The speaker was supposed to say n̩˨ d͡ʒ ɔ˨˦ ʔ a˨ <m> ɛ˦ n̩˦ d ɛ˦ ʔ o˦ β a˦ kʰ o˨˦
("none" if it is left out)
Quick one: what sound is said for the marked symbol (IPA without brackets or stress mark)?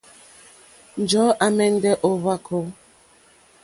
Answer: m